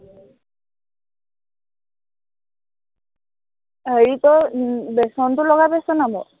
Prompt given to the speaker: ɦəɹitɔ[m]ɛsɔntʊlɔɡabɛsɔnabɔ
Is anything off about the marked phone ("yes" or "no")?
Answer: yes